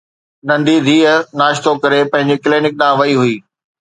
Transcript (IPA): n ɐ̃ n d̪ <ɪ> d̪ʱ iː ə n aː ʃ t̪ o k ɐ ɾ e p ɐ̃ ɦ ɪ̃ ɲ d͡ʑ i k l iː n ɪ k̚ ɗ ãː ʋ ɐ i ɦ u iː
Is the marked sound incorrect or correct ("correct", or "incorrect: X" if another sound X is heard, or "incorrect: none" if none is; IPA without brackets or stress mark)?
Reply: incorrect: i